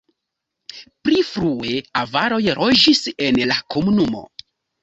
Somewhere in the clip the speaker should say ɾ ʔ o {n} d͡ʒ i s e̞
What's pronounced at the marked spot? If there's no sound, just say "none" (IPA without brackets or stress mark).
none